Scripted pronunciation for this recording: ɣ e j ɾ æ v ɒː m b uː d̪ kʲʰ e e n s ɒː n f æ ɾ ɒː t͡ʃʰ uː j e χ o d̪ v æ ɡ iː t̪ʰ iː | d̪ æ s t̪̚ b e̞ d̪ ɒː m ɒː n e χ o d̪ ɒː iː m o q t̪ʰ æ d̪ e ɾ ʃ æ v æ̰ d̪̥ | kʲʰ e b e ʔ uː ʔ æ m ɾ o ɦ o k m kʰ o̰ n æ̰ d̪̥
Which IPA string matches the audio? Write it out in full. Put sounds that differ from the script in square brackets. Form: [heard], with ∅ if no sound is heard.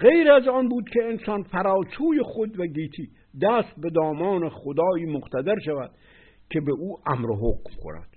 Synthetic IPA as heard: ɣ e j ɾ æ [z] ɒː [n] b uː d̪ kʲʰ e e n s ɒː n f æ ɾ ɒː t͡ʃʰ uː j e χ o d̪ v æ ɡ iː t̪ʰ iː | d̪ æ s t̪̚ b e̞ d̪ ɒː m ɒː n e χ o d̪ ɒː iː m o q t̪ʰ æ d̪ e ɾ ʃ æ v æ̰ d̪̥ | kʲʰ e b e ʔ uː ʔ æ m ɾ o ɦ o k m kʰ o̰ n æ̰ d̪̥